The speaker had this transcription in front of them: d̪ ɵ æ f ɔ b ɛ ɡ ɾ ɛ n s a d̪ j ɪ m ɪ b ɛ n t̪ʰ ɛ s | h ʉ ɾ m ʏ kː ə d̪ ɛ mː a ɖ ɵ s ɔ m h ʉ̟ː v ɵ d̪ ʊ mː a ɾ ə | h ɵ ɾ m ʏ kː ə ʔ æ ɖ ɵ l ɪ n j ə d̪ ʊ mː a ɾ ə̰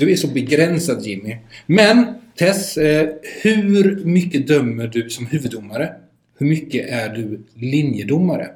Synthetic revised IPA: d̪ ɵ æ ʂ ɔ b ɛ ɡ ɾ ɛ n s a d̪ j ɪ m ɪ m ɛ n t̪ʰ ɛ s | h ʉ ɾ m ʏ kː ə d̪ œ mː ə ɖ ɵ s ɔ m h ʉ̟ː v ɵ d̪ ʊ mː a ɾ ə | h ɵ ɾ m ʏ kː ə ʔ æ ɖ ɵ l ɪ n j ə d̪ ʊ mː a ɾ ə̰